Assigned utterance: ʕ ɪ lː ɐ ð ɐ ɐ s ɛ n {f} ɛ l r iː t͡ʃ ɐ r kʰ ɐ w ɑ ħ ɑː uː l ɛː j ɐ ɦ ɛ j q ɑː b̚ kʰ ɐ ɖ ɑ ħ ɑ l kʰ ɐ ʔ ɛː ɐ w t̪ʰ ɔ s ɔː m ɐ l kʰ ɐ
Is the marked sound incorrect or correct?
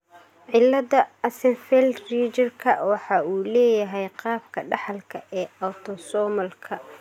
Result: correct